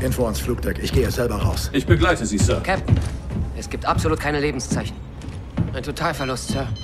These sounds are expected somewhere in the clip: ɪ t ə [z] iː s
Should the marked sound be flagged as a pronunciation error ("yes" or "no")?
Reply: no